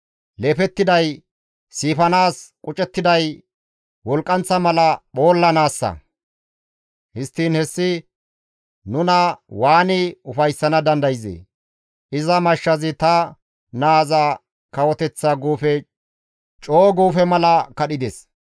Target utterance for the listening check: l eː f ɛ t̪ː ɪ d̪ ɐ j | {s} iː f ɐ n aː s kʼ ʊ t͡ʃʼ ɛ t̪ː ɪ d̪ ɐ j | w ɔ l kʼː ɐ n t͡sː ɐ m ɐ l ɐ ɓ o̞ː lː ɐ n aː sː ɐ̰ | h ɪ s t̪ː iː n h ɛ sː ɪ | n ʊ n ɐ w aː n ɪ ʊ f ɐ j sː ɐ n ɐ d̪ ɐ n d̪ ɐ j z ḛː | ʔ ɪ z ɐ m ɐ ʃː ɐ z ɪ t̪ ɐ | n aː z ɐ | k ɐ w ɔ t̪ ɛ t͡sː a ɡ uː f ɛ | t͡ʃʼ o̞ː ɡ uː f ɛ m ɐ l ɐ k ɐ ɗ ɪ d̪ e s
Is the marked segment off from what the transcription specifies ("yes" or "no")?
no